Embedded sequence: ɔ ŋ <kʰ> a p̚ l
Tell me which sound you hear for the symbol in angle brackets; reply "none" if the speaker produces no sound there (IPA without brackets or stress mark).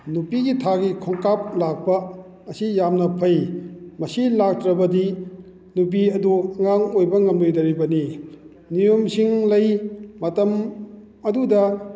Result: k